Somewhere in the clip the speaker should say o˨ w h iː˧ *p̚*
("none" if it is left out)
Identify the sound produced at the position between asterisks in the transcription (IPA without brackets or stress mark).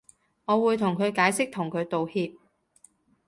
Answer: p̚